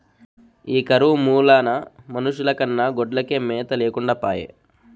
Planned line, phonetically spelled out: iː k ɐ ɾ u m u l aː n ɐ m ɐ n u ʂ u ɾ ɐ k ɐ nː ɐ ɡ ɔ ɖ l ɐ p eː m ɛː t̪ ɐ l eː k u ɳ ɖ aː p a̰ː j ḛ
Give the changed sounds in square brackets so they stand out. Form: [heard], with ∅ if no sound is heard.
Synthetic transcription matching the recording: iː k ɐ ɾ u m [uː] l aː n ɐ m ɐ n u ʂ u [l] ɐ k ɐ nː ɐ ɡ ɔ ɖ l ɐ [k] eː m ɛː t̪ ɐ l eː k u ɳ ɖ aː p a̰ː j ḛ